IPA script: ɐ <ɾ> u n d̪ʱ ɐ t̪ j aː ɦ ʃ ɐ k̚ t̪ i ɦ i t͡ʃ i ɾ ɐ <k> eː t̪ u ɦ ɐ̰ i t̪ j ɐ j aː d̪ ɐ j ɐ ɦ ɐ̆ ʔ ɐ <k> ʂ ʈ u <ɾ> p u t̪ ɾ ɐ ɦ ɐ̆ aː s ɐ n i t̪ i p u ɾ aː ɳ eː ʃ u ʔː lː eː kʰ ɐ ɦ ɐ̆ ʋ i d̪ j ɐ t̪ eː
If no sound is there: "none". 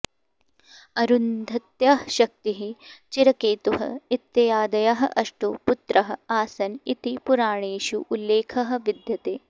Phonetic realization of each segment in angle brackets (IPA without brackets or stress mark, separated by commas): ɾ, k, none, none